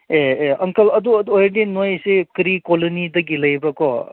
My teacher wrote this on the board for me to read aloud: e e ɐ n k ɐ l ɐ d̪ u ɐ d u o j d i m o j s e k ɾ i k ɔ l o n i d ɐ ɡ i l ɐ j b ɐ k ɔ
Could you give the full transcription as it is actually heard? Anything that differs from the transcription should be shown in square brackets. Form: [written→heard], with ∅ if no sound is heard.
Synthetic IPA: e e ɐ [n→ŋ] k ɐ l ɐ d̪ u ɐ d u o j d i [m→n] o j s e k ɾ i k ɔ l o n i d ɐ ɡ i l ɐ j b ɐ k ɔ